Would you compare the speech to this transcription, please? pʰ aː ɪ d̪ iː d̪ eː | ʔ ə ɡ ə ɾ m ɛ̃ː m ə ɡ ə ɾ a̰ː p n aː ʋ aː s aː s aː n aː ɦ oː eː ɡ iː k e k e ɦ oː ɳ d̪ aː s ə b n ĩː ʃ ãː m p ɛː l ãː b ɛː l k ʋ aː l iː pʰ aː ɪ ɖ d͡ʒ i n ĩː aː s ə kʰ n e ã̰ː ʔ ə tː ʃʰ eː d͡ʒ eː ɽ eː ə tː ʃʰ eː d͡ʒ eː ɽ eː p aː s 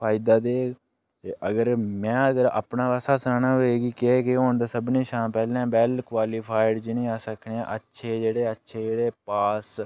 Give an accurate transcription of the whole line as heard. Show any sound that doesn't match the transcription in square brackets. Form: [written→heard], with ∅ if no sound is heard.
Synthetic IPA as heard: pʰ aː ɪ d̪ [iː→aː] d̪ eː | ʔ ə ɡ ə ɾ m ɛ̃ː [m→∅] ə ɡ ə ɾ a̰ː p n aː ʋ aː s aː s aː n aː ɦ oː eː ɡ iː k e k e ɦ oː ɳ d̪ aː s ə b n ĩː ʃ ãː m p ɛː l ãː b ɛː l k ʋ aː l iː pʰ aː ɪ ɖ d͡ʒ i n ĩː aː s ə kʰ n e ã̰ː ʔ ə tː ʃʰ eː d͡ʒ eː ɽ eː ə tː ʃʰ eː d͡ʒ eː ɽ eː p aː s